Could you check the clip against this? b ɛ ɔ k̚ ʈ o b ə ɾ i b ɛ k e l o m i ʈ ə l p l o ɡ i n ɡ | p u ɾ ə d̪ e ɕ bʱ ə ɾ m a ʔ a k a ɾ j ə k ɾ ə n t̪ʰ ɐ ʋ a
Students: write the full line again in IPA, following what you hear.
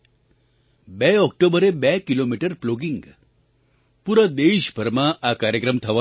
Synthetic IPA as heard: b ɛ ɔ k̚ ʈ o b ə ɾ e b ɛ k i l o m i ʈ ə ɾ p l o ɡ i ŋ ɡ | p u ɾ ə d̪ e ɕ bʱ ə ɾ m a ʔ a k a ɾ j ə k ɾ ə m t̪ʰ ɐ ʋ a